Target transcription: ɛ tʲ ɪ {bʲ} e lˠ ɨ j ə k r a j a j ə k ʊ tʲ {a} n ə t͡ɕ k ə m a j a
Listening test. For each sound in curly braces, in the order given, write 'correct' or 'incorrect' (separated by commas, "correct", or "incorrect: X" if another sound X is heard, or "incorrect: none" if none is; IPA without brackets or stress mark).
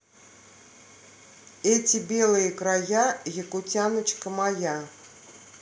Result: correct, correct